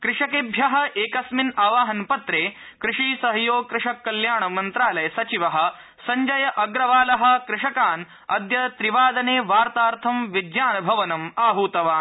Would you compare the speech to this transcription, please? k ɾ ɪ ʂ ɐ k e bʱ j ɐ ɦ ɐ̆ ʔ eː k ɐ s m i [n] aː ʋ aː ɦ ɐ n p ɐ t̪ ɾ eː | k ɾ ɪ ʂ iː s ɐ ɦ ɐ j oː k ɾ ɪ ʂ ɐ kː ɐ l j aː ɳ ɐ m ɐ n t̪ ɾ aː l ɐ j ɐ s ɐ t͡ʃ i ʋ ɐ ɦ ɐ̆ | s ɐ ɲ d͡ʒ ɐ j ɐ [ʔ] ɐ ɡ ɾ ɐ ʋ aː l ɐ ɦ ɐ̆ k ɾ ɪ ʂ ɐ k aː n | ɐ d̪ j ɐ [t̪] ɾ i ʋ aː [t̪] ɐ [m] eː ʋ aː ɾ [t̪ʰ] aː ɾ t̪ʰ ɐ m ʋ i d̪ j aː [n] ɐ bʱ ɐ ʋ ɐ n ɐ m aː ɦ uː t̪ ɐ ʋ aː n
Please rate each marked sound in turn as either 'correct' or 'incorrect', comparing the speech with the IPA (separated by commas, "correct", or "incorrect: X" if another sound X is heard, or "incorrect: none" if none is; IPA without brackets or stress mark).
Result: correct, correct, correct, incorrect: d̪, incorrect: n, incorrect: t̪, correct